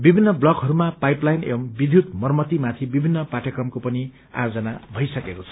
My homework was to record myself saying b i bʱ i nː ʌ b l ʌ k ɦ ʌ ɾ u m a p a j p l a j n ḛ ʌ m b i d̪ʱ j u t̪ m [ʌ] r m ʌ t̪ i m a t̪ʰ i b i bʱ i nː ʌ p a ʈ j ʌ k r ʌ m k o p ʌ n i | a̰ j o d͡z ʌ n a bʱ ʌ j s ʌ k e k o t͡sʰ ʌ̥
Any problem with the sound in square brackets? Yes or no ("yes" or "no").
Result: no